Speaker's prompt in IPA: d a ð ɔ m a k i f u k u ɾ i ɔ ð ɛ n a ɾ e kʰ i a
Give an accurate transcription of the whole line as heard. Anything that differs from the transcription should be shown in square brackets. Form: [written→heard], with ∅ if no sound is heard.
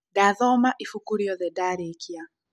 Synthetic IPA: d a ð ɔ m a [k→ʔ] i f u k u ɾ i ɔ ð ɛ [n→d] a ɾ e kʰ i a